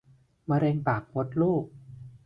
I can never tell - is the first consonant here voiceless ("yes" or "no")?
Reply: no